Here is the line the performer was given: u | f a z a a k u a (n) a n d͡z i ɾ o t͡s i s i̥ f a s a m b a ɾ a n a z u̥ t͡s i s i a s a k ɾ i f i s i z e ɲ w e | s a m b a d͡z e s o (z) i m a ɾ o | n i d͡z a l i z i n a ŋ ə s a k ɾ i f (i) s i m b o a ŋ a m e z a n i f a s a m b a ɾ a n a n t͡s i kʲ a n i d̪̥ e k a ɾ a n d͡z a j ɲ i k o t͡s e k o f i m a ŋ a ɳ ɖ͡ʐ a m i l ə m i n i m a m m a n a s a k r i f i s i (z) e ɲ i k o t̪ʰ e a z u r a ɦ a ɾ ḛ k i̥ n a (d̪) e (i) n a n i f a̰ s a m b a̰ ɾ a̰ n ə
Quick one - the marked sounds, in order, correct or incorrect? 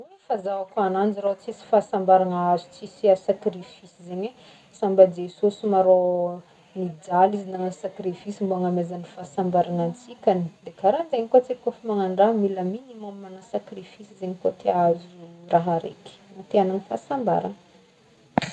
correct, incorrect: s, correct, correct, incorrect: t̪, incorrect: a

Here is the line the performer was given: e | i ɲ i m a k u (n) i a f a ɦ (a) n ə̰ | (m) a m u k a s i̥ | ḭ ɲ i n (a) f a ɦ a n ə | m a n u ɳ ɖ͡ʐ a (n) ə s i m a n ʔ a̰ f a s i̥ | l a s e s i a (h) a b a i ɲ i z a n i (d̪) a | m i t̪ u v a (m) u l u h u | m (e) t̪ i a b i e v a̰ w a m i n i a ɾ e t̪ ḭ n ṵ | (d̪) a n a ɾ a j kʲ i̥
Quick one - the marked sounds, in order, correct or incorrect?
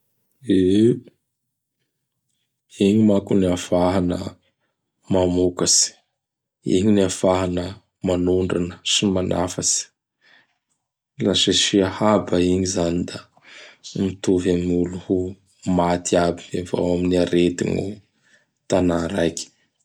correct, correct, correct, correct, correct, correct, correct, correct, incorrect: a, incorrect: t̪

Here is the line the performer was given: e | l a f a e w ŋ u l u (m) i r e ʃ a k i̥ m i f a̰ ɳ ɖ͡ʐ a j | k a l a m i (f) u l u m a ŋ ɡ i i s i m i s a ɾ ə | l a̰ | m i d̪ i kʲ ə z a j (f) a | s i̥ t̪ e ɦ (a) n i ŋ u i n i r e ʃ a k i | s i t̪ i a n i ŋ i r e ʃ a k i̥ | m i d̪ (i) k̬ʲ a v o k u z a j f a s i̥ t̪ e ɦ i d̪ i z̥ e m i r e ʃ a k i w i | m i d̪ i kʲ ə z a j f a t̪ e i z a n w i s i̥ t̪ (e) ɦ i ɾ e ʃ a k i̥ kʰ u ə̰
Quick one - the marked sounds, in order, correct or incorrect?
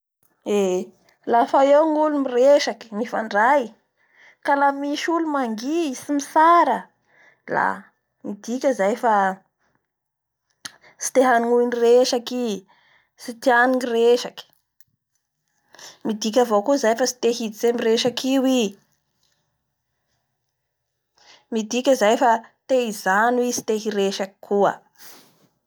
correct, incorrect: ʃ, correct, correct, correct, correct

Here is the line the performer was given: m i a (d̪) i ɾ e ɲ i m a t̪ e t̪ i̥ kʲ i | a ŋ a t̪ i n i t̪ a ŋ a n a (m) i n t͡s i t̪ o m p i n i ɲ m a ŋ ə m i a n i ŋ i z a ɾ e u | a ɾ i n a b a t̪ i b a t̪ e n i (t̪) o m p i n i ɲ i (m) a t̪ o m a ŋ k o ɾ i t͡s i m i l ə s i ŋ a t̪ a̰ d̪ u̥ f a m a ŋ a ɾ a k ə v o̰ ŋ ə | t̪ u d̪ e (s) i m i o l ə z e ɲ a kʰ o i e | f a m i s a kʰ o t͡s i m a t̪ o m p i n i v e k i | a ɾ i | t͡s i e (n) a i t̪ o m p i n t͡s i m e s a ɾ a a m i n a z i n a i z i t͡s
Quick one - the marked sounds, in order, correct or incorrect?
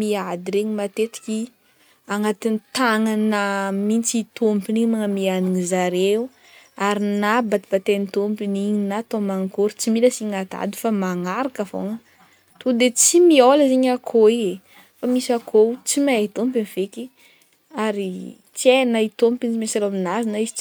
correct, correct, correct, incorrect: n, incorrect: t͡s, correct

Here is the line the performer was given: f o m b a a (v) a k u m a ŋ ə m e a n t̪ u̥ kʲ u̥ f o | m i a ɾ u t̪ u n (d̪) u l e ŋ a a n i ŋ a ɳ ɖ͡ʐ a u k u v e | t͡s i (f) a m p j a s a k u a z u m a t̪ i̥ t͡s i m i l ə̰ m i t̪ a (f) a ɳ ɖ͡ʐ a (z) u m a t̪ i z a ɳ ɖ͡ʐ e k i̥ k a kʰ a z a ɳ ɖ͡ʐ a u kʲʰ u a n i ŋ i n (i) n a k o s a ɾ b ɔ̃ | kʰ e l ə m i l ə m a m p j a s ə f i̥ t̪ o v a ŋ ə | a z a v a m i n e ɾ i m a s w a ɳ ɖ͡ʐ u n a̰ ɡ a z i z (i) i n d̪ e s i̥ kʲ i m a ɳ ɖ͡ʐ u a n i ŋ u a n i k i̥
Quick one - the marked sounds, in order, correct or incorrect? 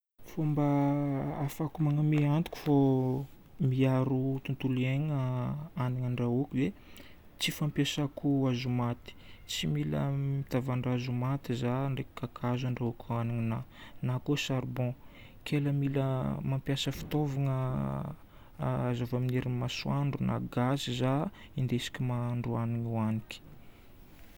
incorrect: f, incorrect: t̪, correct, incorrect: v, correct, incorrect: a, incorrect: a

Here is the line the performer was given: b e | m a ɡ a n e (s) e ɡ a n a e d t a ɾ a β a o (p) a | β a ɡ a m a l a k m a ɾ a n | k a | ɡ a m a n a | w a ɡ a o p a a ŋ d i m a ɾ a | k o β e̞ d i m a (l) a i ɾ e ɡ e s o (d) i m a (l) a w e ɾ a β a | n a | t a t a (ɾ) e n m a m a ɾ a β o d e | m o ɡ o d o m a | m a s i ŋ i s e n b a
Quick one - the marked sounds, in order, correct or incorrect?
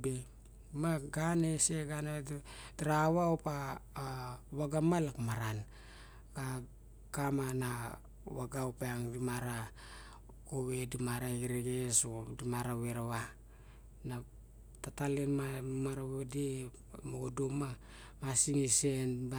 correct, correct, incorrect: ɾ, correct, incorrect: ɾ, incorrect: l

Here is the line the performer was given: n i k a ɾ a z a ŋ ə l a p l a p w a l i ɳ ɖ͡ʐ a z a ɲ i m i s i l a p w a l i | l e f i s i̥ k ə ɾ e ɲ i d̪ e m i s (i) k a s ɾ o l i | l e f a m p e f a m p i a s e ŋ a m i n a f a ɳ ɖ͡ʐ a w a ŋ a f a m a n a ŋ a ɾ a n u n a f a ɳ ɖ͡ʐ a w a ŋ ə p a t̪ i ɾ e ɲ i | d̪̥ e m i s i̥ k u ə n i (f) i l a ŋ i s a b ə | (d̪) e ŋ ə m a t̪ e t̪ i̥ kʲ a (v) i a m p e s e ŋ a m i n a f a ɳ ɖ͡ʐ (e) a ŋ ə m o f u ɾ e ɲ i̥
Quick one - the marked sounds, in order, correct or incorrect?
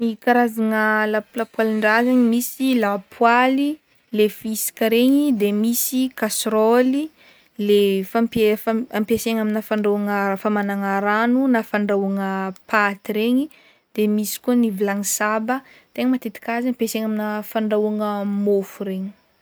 correct, incorrect: v, incorrect: t̪, incorrect: z, incorrect: a

